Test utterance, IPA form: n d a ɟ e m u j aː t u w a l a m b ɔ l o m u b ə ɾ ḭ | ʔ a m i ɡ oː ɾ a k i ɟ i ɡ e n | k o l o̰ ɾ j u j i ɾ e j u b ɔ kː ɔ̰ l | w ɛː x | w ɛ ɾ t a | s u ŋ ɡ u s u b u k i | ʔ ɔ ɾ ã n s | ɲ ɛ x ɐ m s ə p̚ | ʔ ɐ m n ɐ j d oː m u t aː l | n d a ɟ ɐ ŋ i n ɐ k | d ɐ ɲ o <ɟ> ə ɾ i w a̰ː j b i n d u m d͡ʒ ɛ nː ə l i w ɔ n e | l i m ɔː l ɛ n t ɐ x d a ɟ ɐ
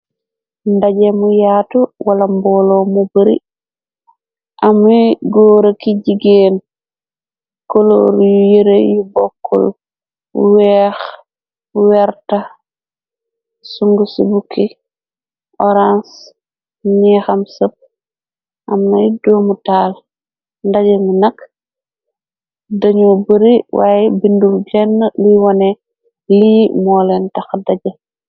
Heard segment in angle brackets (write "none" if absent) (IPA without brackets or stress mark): b